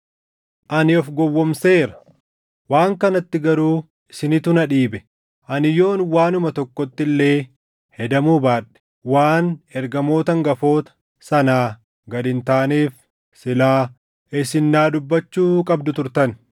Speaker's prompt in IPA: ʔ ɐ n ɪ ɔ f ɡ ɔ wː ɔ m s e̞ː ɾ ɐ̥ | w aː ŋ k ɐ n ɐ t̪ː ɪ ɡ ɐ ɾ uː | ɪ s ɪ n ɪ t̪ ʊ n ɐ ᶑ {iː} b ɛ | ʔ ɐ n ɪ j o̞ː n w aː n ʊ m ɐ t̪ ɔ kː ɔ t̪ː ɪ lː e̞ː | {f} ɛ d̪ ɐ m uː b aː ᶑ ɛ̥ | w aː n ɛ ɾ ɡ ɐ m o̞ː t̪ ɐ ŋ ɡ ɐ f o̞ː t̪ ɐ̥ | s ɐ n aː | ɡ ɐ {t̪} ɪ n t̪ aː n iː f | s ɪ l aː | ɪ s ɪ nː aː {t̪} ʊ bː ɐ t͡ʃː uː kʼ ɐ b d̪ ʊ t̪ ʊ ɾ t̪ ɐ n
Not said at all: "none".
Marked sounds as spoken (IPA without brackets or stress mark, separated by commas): iː, h, d̪, d̪